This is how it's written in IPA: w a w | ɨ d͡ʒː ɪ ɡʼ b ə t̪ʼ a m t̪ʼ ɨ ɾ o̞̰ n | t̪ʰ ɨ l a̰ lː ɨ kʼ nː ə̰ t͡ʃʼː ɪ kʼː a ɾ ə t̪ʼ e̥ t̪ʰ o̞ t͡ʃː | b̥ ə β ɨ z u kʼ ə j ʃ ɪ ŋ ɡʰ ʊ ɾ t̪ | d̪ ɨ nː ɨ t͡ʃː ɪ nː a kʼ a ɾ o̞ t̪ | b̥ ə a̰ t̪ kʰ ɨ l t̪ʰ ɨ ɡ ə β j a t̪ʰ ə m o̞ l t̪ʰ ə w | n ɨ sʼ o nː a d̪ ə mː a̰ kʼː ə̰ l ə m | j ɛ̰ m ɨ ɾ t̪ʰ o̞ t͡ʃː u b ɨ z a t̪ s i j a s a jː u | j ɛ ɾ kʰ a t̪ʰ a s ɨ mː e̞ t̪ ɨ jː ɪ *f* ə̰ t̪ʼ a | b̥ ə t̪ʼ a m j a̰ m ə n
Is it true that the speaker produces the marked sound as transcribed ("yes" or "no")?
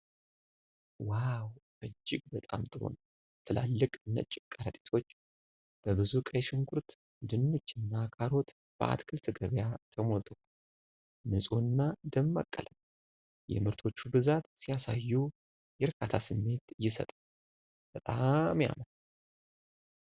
no